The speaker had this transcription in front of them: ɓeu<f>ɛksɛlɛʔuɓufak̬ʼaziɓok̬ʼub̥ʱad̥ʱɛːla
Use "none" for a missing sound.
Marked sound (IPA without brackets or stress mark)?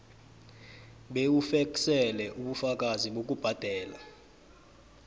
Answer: f